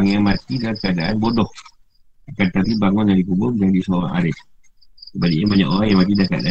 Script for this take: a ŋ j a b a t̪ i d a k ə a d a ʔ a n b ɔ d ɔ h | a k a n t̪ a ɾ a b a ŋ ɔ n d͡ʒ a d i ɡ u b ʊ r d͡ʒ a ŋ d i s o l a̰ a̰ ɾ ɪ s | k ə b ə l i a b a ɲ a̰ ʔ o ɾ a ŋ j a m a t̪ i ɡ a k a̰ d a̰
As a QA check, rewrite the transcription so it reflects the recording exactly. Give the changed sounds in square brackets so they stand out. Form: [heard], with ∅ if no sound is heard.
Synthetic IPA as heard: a ŋ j a [m] a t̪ i d a k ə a d a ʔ a n b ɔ d ɔ h | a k a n t̪ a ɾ [i] b a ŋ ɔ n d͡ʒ a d i [k] u b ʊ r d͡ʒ a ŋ d i s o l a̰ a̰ ɾ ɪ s | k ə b [a] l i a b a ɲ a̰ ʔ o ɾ a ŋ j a m a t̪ i [d] a k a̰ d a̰